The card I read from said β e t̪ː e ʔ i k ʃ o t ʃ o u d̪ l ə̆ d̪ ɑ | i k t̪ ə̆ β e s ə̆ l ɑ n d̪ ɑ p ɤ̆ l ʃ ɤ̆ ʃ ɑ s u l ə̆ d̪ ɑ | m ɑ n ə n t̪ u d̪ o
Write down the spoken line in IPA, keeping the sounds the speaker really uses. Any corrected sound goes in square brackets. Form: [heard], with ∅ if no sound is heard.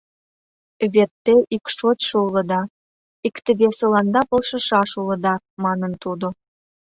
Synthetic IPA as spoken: β e t̪ː e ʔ i k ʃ o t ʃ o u [∅] l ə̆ d̪ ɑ | i k t̪ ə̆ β e s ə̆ l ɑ n d̪ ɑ p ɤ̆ l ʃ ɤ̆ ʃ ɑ [ʃ] u l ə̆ d̪ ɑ | m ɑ n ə n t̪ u d̪ o